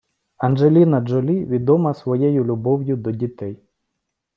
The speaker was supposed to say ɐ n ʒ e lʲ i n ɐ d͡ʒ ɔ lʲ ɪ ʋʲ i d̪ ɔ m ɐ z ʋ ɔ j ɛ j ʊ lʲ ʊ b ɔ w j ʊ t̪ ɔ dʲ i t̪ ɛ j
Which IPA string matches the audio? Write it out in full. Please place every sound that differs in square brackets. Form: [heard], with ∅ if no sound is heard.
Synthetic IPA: ɐ n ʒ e lʲ i n ɐ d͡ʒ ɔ lʲ [i] ʋʲ i d̪ ɔ m ɐ [s] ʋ ɔ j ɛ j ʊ lʲ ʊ b ɔ w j ʊ [d̪] ɔ dʲ i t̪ ɛ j